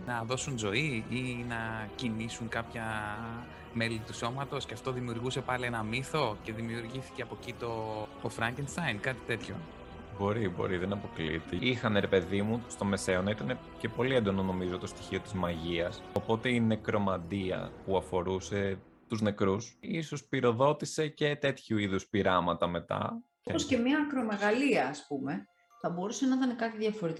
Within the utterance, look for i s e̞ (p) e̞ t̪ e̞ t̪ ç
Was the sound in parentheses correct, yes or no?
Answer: no